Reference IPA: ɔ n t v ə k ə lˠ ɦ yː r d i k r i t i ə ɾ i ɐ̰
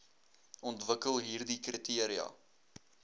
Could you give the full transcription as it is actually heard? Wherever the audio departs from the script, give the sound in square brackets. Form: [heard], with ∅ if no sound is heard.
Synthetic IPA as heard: ɔ n t v ə k ə lˠ ɦ [iː] r d i k r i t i ə ɾ i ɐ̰